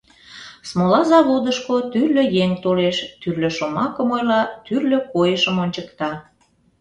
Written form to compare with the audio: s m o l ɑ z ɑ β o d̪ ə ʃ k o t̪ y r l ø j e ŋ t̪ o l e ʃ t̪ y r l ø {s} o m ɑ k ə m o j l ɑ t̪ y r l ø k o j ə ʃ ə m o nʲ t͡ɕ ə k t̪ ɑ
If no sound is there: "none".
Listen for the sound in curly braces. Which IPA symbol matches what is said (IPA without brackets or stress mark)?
ʃ